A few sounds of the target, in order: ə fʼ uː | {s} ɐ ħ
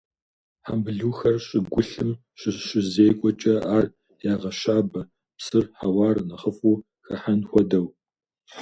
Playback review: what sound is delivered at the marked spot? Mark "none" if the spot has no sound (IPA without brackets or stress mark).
x